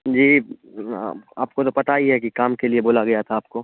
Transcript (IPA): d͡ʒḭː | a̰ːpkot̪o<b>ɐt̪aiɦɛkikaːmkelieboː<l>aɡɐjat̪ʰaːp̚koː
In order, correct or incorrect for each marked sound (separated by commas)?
incorrect, correct